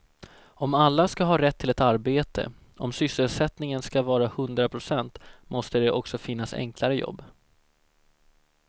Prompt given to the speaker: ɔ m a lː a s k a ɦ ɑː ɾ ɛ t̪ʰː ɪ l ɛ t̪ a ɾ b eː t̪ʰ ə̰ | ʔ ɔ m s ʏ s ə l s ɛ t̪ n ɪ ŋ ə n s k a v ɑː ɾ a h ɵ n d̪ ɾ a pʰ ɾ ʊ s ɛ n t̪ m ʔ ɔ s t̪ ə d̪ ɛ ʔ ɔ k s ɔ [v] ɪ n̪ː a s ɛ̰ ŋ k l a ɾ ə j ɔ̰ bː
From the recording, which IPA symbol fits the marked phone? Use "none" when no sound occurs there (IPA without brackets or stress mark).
f